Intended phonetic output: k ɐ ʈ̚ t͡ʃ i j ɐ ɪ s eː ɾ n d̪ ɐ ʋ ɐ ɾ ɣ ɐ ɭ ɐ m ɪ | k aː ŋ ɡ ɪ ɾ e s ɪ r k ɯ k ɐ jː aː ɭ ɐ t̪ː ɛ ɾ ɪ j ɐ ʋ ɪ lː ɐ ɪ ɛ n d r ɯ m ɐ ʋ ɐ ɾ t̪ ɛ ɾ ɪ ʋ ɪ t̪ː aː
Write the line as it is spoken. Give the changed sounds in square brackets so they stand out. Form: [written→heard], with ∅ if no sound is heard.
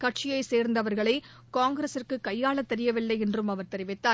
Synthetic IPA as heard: k ɐ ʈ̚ t͡ʃ [i→ɪ] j ɐ ɪ s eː ɾ n d̪ ɐ ʋ ɐ ɾ ɣ ɐ ɭ ɐ [m→∅] ɪ | k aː ŋ ɡ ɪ ɾ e s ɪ r k ɯ k ɐ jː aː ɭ ɐ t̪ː ɛ ɾ ɪ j ɐ ʋ ɪ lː ɐ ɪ ɛ n d r ɯ m ɐ ʋ ɐ ɾ t̪ ɛ ɾ ɪ ʋ ɪ t̪ː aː